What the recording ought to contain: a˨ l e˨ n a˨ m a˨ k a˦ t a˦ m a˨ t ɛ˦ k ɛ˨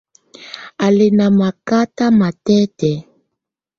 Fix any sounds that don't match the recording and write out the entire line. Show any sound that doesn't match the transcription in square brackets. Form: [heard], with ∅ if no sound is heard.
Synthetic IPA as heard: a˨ l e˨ n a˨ m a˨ k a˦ t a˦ m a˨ t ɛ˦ [t] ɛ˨